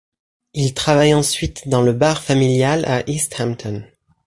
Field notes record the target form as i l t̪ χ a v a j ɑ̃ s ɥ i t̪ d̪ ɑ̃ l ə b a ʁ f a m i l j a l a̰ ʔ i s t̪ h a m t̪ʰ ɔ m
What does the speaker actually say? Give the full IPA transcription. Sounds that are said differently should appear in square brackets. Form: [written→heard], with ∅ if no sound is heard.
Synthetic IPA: i l t̪ χ a v a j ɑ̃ s ɥ i t̪ d̪ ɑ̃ l ə b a ʁ f a m i l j a l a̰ ʔ i s t̪ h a m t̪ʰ ɔ [m→n]